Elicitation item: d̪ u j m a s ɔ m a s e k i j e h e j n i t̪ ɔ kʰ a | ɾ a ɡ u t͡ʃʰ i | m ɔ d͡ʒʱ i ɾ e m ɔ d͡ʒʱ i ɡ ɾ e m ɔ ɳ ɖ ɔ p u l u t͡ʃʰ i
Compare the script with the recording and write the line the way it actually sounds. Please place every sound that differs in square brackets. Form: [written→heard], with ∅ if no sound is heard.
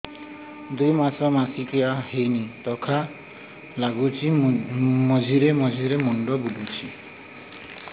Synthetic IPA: d̪ u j m a s ɔ m a s [e→i] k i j [e→a] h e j n i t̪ ɔ kʰ a | [ɾ→l] a ɡ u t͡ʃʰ i | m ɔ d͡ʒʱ i ɾ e m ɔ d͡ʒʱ i [ɡ→∅] ɾ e m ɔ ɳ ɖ ɔ [p→b] u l u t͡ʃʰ i